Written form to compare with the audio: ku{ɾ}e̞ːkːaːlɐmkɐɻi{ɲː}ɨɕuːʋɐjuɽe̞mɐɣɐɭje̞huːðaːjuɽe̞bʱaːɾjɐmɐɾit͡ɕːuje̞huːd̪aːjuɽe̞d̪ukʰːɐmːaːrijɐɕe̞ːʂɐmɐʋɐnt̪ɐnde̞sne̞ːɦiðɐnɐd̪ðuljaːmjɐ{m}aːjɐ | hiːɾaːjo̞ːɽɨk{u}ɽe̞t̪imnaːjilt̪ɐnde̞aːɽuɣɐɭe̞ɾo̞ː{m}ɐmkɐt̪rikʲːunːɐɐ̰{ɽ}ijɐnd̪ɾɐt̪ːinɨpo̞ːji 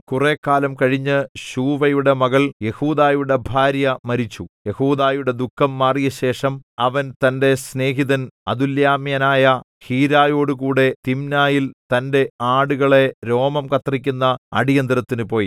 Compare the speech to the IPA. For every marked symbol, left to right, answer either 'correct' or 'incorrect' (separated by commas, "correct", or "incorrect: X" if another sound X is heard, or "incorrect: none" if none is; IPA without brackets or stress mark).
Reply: incorrect: r, correct, incorrect: n, incorrect: uː, correct, correct